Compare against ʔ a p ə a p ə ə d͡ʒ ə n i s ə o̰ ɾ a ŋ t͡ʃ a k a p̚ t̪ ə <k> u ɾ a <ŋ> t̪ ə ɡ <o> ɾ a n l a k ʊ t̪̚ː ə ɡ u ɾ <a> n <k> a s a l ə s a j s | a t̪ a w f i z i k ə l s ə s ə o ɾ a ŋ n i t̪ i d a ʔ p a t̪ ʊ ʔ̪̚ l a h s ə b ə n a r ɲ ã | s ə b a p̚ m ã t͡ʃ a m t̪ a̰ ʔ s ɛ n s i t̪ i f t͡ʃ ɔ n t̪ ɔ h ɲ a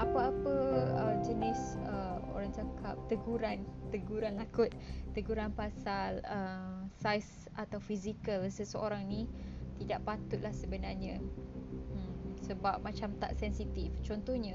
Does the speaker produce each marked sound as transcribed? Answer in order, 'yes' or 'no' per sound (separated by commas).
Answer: no, no, no, yes, no